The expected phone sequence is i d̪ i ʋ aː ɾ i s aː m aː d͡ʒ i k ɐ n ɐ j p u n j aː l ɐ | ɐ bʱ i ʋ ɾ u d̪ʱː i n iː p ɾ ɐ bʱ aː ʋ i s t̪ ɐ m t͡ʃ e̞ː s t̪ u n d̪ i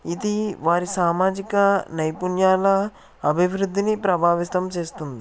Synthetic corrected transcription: i d̪ i ʋ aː ɾ i s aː m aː d͡ʒ i k ɐ n ɐ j p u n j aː l ɐ | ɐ bʱ i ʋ ɾ u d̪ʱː i n i p ɾ ɐ bʱ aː ʋ i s t̪ ɐ m t͡ʃ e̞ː s t̪ u n d̪ i